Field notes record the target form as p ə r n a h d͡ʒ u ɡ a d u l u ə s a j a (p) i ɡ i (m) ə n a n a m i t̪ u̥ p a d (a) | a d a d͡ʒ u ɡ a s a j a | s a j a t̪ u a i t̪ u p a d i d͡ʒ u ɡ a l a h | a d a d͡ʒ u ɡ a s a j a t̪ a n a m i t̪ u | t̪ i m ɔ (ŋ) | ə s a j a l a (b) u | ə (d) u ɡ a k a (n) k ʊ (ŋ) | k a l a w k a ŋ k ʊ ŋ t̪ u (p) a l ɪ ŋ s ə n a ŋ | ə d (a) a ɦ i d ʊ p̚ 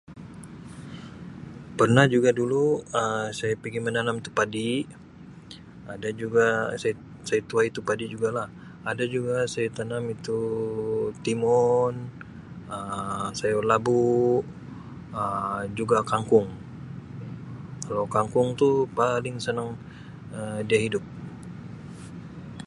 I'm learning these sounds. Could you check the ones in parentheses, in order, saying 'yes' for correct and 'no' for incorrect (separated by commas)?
yes, yes, no, no, yes, no, no, yes, yes, no